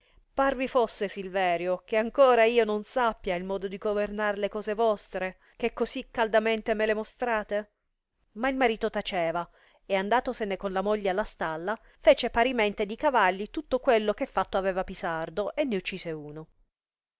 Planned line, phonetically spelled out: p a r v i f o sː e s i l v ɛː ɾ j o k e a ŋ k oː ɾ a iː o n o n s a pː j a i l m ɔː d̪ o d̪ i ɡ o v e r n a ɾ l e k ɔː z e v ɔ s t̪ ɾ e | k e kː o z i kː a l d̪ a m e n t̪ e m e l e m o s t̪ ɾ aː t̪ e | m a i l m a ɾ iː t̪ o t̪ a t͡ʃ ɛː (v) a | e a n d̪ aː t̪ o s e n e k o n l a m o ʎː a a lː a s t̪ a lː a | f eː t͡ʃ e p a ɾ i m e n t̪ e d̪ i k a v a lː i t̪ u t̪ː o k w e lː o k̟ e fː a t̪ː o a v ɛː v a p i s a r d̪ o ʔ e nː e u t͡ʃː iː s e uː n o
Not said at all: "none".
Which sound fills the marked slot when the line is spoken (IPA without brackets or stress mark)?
v